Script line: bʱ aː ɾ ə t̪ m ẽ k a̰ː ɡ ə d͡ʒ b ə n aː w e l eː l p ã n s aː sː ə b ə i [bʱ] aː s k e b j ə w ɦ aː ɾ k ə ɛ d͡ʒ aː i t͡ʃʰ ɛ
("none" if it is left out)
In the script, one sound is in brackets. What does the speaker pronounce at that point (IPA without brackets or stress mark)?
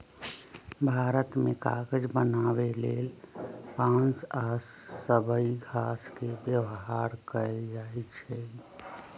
ɡʱ